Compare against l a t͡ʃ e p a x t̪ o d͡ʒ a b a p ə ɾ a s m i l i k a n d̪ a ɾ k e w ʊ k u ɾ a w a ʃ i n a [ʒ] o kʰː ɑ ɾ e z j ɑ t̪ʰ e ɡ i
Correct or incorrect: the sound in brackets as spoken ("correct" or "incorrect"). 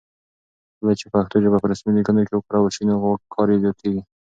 incorrect